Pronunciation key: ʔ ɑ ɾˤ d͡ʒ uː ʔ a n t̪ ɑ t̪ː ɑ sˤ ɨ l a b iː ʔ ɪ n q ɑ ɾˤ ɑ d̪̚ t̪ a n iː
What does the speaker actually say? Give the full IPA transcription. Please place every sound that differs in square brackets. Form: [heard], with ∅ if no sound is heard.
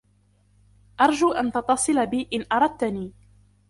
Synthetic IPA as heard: ʔ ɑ ɾˤ d͡ʒ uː ʔ a n t̪ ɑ t̪ː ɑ sˤ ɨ l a b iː ʔ ɪ n [ʔ] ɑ ɾˤ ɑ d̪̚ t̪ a n iː